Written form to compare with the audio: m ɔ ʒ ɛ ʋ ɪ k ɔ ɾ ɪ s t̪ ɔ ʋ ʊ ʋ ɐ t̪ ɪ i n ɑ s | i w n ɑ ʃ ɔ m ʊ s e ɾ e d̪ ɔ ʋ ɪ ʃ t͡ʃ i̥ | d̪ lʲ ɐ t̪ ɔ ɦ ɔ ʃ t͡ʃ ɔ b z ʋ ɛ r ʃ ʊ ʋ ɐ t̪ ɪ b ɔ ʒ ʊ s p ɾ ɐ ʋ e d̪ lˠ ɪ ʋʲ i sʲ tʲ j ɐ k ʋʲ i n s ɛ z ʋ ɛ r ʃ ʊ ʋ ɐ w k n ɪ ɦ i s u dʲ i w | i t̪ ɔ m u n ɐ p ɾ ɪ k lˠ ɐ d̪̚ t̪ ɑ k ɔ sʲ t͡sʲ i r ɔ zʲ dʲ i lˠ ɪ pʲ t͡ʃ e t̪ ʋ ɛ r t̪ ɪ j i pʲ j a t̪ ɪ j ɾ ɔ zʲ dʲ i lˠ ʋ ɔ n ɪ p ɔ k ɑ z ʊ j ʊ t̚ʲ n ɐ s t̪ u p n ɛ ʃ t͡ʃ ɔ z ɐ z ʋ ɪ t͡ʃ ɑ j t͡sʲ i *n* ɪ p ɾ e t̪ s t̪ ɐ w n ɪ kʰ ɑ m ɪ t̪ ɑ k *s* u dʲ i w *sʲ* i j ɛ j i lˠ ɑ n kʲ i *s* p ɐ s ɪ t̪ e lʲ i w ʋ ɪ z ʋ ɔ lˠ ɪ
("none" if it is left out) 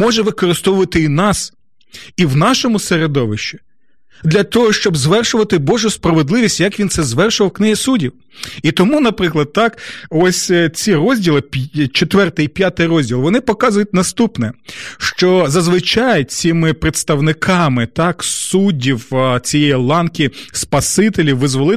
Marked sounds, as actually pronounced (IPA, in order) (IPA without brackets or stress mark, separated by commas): m, s, t͡sʲ, s